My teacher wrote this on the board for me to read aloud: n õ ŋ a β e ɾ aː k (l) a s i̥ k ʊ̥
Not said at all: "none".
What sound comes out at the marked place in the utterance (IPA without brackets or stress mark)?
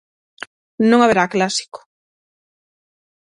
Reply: l